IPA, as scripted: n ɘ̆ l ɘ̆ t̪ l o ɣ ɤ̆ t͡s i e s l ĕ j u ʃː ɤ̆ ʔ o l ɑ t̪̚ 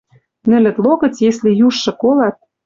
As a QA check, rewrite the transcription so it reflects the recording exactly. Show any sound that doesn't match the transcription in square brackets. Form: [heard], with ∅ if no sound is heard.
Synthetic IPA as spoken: n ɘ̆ l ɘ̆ t̪ l o ɣ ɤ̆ t͡s [j] e s l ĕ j u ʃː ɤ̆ [k] o l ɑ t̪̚